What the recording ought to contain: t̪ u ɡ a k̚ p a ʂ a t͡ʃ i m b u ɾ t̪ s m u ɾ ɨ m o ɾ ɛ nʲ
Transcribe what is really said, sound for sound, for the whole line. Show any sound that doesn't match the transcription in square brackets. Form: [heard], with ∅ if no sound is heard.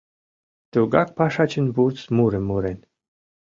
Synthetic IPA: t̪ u ɡ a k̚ p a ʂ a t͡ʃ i [n] b u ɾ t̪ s m u ɾ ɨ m [u] ɾ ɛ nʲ